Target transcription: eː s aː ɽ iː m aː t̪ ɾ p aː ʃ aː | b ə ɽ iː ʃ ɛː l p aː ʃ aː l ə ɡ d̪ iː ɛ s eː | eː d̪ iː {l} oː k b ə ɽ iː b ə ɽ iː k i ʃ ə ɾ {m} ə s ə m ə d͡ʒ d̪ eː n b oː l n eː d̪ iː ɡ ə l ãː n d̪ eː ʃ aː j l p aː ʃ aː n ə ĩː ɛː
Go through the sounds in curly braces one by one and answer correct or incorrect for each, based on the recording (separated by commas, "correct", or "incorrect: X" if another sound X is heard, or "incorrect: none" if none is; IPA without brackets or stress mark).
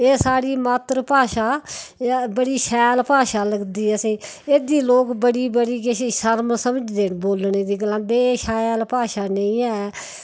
correct, correct